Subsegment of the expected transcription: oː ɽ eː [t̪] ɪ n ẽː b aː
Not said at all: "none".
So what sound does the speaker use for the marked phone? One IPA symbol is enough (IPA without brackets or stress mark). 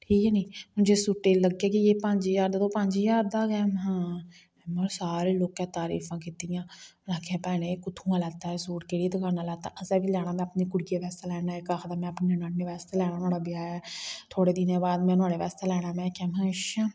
d̪